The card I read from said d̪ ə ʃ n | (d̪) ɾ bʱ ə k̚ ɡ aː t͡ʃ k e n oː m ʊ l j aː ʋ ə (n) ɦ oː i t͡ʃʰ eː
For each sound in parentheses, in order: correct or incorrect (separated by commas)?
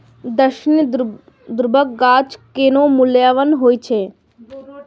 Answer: correct, correct